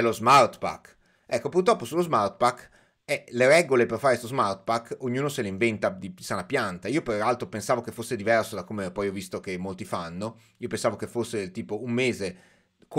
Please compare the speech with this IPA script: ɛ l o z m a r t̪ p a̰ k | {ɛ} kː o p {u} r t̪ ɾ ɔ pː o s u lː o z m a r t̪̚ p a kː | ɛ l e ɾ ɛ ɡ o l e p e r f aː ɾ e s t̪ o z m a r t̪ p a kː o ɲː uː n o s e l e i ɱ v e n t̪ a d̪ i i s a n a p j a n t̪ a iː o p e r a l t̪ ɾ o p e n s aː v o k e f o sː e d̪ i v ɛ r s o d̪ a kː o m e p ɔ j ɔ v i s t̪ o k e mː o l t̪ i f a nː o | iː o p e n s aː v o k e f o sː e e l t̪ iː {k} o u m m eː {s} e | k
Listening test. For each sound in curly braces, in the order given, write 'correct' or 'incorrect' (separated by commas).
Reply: correct, correct, incorrect, incorrect